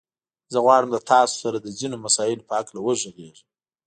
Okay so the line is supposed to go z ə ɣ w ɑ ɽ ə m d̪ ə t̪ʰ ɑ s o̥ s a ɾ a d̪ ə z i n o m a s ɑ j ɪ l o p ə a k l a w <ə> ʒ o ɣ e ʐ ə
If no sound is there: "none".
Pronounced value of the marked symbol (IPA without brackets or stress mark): ə